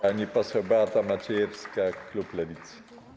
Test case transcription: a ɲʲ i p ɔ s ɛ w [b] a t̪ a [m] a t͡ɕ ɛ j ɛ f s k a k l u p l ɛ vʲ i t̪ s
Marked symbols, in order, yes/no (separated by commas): yes, yes